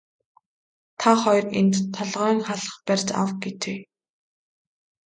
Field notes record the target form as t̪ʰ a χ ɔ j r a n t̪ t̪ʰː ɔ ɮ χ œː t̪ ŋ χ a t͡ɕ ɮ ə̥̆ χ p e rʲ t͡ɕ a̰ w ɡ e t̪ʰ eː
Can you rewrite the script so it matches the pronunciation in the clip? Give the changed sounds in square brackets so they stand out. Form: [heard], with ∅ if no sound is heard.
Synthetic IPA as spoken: t̪ʰ a χ ɔ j r [e] n t̪ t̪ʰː ɔ ɮ [ʁ] œː [∅] ŋ χ a [∅] ɮ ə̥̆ χ p [æ] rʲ t͡ɕ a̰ w ɡ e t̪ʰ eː